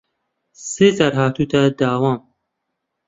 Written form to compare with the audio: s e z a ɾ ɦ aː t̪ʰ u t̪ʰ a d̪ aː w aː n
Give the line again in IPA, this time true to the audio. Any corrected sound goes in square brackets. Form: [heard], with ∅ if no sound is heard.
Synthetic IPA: s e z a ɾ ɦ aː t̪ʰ u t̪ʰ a d̪ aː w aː [m]